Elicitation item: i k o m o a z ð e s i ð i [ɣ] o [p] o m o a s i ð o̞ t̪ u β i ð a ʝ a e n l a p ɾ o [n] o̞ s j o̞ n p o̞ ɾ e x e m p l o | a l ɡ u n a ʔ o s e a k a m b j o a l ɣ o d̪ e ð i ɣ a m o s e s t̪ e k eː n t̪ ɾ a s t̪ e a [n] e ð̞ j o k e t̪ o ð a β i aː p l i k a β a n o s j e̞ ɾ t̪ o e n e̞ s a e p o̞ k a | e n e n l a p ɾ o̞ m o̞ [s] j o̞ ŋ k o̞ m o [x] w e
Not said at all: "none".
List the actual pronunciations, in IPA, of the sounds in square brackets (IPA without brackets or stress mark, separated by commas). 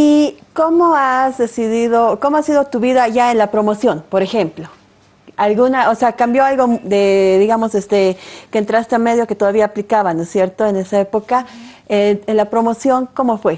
ð, k, m, m, s, f